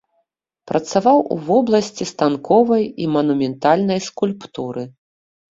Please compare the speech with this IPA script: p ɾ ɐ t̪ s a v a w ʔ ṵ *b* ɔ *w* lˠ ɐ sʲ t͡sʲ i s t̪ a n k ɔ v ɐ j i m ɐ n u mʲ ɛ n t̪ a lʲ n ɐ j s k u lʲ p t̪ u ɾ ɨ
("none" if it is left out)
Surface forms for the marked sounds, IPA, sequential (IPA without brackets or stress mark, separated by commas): v, b